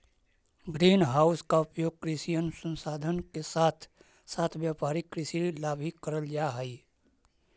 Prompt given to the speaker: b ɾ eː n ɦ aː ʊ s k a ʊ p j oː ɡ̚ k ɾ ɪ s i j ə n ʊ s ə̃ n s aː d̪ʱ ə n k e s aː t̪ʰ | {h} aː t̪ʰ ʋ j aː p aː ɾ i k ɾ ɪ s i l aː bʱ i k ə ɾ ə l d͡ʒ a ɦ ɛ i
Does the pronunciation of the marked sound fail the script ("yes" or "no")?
yes